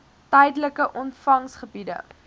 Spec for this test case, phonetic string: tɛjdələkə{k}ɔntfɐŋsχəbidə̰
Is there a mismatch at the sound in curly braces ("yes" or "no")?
yes